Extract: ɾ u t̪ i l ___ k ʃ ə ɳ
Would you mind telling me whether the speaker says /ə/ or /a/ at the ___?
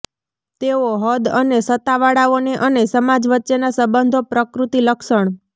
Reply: ə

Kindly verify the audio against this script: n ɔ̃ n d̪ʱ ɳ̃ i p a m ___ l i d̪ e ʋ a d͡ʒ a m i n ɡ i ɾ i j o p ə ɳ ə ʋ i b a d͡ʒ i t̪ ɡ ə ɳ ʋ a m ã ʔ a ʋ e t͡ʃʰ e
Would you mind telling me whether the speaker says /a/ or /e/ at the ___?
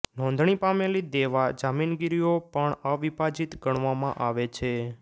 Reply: e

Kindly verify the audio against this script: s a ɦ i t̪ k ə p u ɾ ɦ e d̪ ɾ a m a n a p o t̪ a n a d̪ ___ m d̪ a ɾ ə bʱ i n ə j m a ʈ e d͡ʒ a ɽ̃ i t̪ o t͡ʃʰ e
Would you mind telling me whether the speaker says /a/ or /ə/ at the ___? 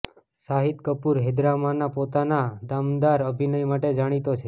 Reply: a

